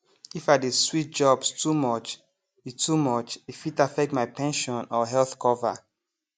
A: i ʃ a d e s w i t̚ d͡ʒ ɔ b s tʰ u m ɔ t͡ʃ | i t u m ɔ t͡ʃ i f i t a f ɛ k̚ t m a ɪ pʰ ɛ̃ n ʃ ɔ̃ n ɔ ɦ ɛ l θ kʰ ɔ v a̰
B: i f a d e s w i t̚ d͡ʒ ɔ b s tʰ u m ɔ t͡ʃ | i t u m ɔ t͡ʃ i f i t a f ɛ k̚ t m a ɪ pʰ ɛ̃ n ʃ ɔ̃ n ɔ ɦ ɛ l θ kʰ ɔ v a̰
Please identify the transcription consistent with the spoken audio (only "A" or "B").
B